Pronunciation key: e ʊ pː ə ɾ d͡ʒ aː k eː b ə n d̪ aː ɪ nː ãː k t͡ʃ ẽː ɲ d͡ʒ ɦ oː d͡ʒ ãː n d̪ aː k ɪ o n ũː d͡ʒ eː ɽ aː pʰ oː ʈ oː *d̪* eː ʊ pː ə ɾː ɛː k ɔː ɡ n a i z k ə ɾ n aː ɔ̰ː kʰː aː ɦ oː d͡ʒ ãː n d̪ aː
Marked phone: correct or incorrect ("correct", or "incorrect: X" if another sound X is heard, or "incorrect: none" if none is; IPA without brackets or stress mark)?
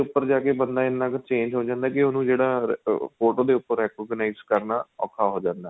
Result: correct